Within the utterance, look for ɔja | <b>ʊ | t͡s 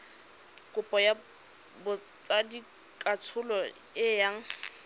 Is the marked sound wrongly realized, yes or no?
no